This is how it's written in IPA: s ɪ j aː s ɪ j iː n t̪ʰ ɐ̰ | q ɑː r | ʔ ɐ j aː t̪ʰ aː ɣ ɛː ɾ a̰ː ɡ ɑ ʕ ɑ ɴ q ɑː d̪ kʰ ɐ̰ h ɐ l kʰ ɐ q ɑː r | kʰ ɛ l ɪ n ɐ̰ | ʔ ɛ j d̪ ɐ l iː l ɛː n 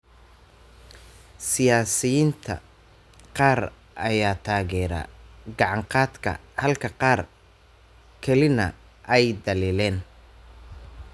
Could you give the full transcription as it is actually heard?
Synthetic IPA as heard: s ɪ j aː s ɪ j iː n t̪ʰ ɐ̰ | q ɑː r | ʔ ɐ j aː t̪ʰ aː ɣ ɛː ɾ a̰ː ɡ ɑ ʕ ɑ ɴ q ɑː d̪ kʰ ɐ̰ h ɐ l kʰ ɐ q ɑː r | kʰ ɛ l ɪ n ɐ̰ | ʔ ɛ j d̪ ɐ l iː l ɛː n